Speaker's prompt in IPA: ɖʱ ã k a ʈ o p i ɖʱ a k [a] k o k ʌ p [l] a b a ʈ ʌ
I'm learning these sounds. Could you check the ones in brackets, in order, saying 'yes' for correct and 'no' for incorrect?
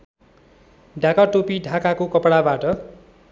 yes, no

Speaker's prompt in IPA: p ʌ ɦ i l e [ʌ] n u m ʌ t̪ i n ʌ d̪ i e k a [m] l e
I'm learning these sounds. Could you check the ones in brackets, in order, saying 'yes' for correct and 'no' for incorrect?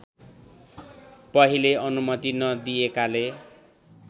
yes, no

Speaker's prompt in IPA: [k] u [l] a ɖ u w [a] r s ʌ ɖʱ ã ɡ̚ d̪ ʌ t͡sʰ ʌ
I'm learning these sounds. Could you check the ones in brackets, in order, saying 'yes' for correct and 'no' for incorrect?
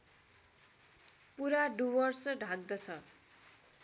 no, no, no

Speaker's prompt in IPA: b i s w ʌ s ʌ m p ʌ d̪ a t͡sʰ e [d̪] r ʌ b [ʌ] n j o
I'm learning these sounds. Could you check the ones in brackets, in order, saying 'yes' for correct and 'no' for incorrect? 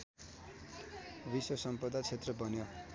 no, yes

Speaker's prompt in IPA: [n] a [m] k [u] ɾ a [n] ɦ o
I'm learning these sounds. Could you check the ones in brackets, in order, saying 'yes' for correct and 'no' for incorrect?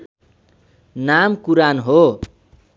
yes, yes, yes, yes

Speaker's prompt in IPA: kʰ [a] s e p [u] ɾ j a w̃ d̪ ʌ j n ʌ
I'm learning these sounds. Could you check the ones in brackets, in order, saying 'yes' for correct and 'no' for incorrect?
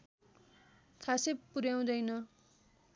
yes, yes

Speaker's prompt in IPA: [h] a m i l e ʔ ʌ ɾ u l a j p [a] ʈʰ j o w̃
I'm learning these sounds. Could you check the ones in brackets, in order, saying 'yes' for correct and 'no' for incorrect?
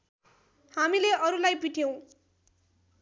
yes, no

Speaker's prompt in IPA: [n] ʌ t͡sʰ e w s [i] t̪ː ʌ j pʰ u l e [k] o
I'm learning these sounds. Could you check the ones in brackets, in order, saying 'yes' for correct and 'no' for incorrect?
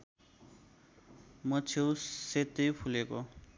no, no, yes

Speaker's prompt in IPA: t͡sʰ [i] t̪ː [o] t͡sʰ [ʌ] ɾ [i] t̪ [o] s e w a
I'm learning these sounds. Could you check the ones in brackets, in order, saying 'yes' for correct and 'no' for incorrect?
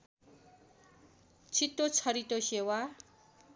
yes, yes, yes, yes, yes

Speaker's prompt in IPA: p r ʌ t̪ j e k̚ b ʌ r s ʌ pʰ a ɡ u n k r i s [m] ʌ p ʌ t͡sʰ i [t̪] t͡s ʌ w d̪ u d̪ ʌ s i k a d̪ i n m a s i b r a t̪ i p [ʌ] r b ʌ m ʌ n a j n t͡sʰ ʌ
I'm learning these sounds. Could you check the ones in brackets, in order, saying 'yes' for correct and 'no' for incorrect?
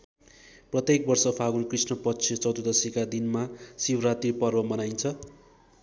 no, no, yes

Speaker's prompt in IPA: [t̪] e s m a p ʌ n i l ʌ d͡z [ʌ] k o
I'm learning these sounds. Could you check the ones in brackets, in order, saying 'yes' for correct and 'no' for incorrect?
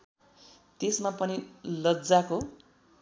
yes, no

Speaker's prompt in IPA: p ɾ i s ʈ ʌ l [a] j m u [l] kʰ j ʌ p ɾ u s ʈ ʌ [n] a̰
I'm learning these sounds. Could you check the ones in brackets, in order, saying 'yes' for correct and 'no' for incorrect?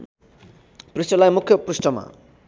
yes, no, no

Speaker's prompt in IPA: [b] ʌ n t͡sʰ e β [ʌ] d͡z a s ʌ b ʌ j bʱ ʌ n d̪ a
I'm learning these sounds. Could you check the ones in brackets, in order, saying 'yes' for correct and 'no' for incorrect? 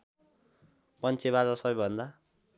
no, no

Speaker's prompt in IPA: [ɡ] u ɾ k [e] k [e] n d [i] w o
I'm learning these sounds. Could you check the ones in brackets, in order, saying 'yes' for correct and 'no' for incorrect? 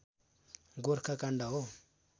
yes, no, no, no

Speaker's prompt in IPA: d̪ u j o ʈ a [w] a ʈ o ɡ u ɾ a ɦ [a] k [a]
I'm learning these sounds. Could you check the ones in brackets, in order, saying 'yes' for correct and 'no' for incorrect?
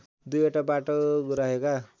no, no, yes

